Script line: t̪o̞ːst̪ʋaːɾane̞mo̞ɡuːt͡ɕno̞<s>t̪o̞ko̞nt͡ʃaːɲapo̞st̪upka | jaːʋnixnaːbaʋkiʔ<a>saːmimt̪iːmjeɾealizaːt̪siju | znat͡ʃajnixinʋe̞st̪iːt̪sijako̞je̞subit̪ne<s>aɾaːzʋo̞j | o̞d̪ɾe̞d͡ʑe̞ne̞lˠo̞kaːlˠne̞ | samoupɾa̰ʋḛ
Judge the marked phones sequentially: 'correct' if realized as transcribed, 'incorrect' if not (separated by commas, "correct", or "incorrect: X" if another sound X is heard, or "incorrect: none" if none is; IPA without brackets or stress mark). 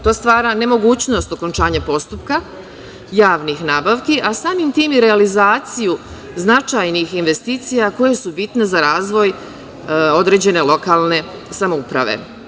correct, correct, incorrect: z